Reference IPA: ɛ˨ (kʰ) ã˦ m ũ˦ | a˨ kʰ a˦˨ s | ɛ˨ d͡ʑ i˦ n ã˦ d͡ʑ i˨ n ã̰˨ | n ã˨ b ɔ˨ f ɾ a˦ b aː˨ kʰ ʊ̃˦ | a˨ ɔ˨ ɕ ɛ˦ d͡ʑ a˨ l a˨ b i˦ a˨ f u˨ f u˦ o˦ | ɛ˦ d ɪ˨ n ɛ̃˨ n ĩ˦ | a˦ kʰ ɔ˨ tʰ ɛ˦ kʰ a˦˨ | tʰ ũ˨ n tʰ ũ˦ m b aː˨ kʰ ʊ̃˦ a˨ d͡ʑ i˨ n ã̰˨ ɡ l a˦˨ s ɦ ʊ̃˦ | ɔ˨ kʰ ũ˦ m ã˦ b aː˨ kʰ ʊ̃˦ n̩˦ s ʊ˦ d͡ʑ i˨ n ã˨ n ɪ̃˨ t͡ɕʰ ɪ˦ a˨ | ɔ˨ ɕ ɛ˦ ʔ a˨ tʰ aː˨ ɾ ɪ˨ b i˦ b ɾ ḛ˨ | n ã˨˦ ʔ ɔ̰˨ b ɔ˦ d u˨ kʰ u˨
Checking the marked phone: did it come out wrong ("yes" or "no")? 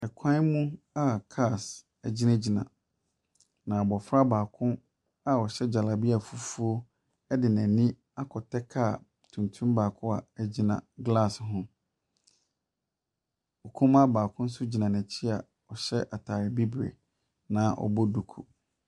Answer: no